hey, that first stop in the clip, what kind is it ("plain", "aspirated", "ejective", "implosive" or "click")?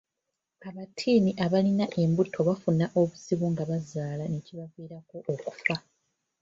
aspirated